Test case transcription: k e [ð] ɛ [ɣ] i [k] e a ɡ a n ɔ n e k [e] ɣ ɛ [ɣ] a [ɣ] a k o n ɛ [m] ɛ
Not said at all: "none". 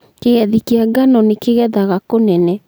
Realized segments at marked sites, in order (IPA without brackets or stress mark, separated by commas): ɣ, ð, k, e, ð, ɣ, n